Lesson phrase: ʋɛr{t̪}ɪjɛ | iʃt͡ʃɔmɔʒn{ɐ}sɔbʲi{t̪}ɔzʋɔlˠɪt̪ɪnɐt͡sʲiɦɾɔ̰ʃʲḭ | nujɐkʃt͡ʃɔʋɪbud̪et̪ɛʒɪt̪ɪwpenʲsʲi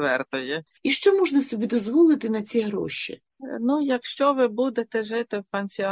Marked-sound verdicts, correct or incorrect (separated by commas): correct, correct, incorrect